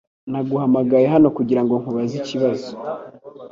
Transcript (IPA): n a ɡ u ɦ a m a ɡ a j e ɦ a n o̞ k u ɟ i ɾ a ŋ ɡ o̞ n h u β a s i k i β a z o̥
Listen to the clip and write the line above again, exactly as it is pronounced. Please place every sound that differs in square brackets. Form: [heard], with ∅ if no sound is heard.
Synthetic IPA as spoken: n a ɡ u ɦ a m a ɡ a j e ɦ a n o̞ k u ɟ i ɾ a ŋ ɡ o̞ [ŋ] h u β a [z] i [c] i β a z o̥